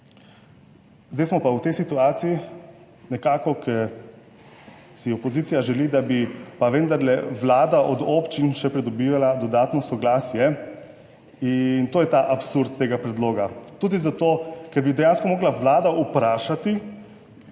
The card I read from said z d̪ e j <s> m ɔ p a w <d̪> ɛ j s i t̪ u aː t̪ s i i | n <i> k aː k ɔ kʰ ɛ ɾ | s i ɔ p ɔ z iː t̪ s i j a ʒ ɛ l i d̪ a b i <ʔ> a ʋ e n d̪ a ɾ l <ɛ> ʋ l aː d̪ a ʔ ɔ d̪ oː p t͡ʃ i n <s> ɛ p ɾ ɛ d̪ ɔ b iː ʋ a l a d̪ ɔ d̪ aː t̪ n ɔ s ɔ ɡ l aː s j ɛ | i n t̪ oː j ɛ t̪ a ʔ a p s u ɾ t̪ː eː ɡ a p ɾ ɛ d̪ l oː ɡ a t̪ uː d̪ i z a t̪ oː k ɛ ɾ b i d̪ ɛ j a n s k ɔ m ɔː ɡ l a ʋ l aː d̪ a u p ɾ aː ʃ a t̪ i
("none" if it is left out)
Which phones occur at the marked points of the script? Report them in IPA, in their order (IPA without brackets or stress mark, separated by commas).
s, t̪, ɛ, p, ɛ, ʃ